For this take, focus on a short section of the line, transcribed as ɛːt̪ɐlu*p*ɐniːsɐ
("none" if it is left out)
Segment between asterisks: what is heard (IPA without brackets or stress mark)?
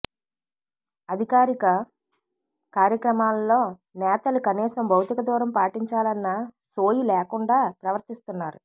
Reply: k